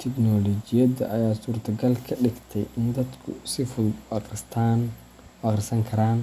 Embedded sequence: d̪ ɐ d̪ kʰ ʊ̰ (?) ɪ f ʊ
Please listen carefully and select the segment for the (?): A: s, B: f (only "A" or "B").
A